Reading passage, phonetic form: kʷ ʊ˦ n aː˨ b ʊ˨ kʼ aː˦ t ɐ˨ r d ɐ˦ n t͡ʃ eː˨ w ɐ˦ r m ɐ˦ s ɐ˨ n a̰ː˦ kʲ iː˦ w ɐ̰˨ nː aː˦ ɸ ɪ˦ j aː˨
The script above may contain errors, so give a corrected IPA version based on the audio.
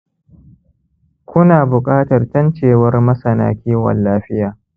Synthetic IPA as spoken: kʷ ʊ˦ n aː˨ b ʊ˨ kʼ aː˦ t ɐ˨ r t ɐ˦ n t͡ʃ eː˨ w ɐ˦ r m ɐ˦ s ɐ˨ n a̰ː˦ kʲ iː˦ w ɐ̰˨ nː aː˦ ɸ ɪ˦ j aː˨